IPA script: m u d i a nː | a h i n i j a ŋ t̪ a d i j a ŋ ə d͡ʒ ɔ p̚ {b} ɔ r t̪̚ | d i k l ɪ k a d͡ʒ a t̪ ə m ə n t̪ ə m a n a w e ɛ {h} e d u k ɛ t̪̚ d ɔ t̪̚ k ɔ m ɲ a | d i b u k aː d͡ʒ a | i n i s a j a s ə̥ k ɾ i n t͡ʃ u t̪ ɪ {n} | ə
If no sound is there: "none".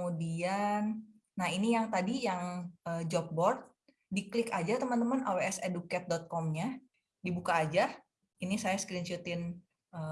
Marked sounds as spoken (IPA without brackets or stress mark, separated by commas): b, s, n